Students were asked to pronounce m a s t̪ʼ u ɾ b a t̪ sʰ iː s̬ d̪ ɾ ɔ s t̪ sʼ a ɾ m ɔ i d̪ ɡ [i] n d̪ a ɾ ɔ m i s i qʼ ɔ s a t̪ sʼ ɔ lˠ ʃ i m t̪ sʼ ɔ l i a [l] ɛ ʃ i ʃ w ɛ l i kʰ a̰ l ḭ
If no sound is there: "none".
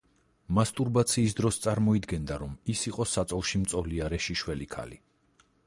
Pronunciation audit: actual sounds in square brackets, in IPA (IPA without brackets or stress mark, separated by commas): ɛ, ɾ